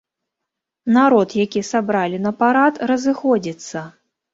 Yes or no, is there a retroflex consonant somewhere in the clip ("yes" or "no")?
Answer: no